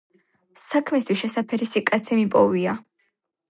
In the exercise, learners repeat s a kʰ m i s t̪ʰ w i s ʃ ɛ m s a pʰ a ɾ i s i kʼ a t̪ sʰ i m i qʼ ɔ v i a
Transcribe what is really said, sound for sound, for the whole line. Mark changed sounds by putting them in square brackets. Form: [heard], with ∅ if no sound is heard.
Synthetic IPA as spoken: s a kʰ m i s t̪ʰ w i s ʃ ɛ [∅] s a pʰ [ɛ] ɾ i s i kʼ a t̪ sʰ i m i [pʼ] ɔ v i a